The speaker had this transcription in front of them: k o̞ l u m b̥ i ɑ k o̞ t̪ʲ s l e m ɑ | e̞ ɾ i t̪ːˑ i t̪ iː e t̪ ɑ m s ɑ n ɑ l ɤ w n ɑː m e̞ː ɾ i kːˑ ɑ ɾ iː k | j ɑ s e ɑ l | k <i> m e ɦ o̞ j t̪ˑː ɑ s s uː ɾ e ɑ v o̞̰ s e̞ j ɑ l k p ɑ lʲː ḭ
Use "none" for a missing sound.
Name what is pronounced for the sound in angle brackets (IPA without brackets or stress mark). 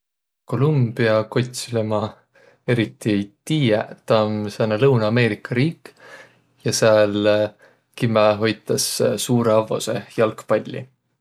i